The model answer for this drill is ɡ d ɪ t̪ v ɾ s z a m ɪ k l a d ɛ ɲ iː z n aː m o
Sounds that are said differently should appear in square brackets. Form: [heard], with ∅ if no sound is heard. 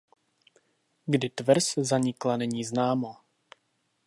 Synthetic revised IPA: ɡ d ɪ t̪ v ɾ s z a [ɲ] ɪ k l a [n] ɛ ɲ iː z n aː m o